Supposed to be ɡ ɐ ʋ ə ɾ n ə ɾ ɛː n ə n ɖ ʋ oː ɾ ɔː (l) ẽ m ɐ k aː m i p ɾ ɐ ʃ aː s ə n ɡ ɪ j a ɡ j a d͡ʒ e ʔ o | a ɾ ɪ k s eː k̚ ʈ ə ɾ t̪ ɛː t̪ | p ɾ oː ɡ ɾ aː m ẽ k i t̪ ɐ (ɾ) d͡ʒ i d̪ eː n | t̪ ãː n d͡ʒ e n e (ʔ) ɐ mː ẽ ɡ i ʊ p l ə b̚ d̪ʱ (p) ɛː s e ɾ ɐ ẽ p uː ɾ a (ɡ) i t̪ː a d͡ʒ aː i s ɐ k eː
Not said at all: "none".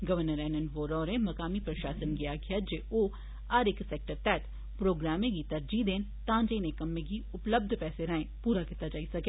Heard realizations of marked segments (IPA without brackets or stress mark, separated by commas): ɾ, ɾ, k, p, k